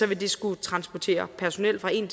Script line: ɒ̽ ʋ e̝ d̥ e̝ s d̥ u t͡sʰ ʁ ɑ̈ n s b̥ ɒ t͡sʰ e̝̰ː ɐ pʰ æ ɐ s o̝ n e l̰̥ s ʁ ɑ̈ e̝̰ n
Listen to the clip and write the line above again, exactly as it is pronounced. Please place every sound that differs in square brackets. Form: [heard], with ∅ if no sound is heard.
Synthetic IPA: ɒ̽ ʋ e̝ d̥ e̝ s [ɡ̥] u t͡sʰ ʁ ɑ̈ n s b̥ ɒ t͡sʰ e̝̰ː ɐ pʰ æ ɐ s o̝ n e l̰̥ [f] ʁ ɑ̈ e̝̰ n